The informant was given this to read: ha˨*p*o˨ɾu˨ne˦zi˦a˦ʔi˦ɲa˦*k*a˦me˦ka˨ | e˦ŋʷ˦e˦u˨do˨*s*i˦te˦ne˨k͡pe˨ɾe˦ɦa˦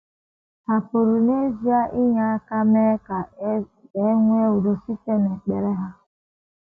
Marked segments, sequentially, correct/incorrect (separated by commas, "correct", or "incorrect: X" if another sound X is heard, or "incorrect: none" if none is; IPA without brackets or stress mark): correct, correct, correct